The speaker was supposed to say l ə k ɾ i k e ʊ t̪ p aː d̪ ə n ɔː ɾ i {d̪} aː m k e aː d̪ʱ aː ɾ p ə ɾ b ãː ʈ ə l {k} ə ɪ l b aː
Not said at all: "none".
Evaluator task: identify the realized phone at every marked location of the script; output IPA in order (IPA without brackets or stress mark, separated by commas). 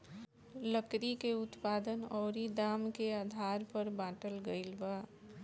d̪, ɡ